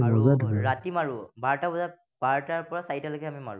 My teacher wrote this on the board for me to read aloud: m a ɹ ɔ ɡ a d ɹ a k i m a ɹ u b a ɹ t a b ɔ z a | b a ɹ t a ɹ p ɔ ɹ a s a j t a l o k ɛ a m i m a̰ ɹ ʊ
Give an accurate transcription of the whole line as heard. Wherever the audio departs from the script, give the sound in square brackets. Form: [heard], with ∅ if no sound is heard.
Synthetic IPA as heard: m a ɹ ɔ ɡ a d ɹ a [t] i m a ɹ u b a ɹ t a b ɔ z a | b a ɹ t a ɹ p ɔ ɹ a s a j t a l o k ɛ a m i m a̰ ɹ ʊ

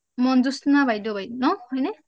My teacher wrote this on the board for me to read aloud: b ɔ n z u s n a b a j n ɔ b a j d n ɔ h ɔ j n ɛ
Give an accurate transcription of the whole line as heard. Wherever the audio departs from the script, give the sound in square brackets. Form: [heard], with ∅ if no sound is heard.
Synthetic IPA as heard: [m] ɔ n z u s n a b a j [d] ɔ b a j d n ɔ h ɔ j n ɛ

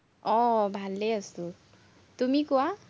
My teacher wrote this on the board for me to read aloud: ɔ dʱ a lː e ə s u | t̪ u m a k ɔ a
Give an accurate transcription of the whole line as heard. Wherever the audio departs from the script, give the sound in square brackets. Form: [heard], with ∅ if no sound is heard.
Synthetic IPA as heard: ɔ [bʱ] a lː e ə s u | t̪ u m [i] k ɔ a

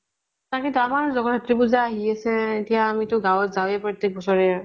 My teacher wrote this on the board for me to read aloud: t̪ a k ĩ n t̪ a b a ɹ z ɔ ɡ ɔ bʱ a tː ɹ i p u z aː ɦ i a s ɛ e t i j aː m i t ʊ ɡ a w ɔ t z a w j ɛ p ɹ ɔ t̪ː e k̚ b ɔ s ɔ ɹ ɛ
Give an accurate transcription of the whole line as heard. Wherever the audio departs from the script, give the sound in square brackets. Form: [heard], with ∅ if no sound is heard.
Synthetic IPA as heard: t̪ a k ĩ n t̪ a [m] a ɹ z ɔ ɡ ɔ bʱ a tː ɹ i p u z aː ɦ i a s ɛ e t i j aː m i t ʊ ɡ a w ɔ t z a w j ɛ p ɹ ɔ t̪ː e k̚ b ɔ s ɔ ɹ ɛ

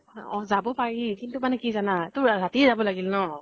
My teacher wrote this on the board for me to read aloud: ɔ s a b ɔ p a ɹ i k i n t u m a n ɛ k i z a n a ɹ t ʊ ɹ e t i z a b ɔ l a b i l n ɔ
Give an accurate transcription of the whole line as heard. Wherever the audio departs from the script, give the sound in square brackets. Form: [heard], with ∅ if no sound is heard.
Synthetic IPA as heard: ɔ [z] a b ɔ p a ɹ i k i n t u m a n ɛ k i z a n a [∅] t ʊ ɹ [a] t i z a b ɔ l a [ɡ] i l n ɔ

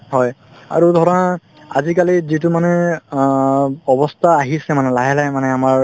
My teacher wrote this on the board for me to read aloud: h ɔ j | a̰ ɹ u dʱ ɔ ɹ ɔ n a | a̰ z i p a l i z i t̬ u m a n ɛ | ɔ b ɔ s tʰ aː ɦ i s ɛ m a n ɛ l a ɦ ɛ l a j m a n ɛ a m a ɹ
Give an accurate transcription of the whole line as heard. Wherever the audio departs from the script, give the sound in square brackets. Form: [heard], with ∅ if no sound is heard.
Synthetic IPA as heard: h ɔ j | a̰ ɹ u dʱ ɔ ɹ ɔ n a | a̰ z i [k] a l i z i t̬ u m a n ɛ | ɔ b ɔ s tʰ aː ɦ i s ɛ m a n ɛ l a ɦ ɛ l a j m a n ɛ a m a ɹ

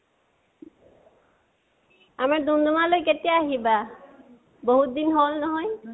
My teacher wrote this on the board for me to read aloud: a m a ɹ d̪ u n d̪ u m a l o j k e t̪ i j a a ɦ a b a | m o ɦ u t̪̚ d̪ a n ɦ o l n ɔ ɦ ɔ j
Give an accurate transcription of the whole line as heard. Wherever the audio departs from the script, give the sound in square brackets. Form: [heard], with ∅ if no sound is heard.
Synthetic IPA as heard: a m a ɹ d̪ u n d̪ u m a l o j k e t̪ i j a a ɦ [i] b a | [b] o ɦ u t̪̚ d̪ [i] n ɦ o l n ɔ ɦ ɔ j

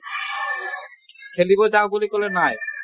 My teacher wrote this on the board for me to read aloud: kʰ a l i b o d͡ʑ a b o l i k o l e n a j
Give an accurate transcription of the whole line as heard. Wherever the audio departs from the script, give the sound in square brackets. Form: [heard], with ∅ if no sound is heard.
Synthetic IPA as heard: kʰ [e] l i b o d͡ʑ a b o l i k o l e n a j

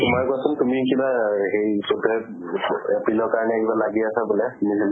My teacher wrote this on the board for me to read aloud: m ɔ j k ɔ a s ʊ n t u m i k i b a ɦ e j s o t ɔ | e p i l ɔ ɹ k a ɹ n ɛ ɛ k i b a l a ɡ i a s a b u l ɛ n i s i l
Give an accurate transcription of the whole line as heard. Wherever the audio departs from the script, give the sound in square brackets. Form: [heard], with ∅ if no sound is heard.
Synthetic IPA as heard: m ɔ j k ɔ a s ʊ n t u m i k i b a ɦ e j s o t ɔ | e p i l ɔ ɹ k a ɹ n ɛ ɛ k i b a l a ɡ i a s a b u l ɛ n i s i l

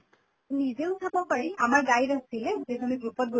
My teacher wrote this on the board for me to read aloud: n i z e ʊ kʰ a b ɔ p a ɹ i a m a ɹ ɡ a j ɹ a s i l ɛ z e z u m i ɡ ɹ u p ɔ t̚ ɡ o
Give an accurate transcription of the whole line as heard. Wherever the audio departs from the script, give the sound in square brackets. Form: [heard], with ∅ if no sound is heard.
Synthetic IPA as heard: n i z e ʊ [tʰ] a b ɔ p a ɹ i a m a ɹ ɡ a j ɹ a s i l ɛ z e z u [n] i ɡ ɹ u p ɔ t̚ ɡ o

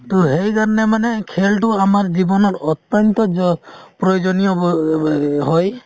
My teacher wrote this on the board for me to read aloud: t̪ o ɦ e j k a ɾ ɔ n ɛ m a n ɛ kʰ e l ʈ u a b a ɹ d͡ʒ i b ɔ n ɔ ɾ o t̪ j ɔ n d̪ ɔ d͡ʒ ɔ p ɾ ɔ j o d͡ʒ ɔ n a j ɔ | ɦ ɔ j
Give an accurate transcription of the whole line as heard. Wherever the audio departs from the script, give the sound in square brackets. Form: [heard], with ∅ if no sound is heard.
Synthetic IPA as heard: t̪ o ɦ e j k a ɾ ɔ n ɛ m a n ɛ kʰ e l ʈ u a [m] a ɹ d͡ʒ i b ɔ n ɔ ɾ [ɔ] t̪ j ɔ n [t̪] ɔ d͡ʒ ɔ p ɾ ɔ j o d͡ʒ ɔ n [i] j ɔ | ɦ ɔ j

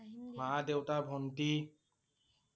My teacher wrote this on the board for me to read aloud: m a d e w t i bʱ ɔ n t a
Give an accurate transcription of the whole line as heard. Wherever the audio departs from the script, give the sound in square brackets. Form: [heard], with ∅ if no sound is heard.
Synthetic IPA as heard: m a d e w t [a] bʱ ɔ n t [i]

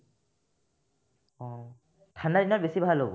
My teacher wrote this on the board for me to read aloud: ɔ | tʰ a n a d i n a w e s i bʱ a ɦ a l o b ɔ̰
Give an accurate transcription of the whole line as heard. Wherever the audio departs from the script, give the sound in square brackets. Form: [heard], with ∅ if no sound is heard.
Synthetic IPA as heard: ɔ | tʰ a n a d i n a [b] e s i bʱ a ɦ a l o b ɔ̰

